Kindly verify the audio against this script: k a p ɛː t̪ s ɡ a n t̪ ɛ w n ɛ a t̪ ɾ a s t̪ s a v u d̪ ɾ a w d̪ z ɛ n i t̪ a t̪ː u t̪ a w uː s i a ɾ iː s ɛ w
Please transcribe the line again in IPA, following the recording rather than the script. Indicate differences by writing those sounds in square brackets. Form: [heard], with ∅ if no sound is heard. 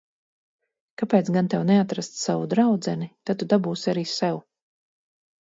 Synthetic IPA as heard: k a p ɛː t̪ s ɡ a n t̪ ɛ w n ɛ a t̪ ɾ a s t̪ s a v u d̪ ɾ a w d̪ z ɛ n i t̪ a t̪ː u [d̪] a [b] uː s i a ɾ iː s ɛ w